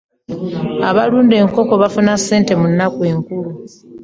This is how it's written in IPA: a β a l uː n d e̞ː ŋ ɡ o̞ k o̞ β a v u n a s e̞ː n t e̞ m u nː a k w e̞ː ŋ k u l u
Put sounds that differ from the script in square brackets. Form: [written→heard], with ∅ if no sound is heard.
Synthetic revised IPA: a β a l uː n d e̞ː ŋ [ɡ→k] o̞ k o̞ β a [v→f] u n a s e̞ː n t e̞ m u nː a k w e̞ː ŋ k u l u